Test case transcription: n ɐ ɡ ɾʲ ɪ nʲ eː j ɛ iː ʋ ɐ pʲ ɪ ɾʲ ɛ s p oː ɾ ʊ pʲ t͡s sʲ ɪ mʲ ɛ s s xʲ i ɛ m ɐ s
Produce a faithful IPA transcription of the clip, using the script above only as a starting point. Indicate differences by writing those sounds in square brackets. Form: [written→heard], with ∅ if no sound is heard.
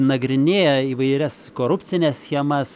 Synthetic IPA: n ɐ ɡ ɾʲ ɪ nʲ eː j ɛ iː ʋ ɐ [pʲ→∅] ɪ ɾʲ ɛ s [p→k] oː ɾ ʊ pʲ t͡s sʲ ɪ [mʲ→nʲ] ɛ s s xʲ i ɛ m ɐ s